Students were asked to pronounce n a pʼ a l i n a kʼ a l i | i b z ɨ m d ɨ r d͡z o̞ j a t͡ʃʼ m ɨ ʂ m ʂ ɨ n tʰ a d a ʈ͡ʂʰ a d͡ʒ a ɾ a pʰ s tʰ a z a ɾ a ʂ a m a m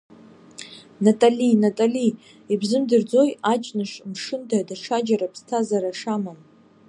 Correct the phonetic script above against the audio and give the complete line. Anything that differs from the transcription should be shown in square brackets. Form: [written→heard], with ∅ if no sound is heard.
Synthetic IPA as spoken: n a [pʼ→tʼ] a l i n a [kʼ→tʼ] a l i | i b z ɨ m d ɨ r d͡z o̞ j a t͡ʃʼ [m→n] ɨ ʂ m ʂ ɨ n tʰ a d a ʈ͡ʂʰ a d͡ʒ a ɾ a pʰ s tʰ a z a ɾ a ʂ a m a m